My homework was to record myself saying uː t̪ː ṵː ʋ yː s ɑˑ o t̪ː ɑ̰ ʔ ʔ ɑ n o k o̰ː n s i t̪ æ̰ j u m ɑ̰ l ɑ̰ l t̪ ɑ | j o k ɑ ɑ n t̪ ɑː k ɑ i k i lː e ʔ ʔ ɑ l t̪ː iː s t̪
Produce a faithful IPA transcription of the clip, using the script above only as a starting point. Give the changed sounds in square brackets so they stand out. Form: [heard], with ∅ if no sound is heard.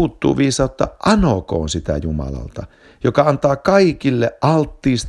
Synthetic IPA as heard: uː t̪ː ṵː ʋ [iː] s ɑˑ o t̪ː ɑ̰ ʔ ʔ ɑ n o k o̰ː n s i t̪ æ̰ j u m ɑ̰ l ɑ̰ l t̪ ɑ | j o k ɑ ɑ n t̪ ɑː k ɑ i k i lː e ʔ ʔ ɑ l t̪ː iː s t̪